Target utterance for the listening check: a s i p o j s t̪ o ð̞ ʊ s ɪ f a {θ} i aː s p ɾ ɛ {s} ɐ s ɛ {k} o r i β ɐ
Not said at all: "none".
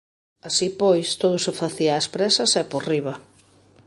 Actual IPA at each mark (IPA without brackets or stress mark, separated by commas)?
θ, s, p